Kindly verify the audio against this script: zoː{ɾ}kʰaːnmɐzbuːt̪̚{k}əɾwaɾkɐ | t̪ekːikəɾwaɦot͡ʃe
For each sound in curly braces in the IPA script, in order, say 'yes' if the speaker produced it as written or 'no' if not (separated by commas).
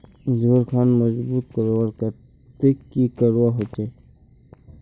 yes, yes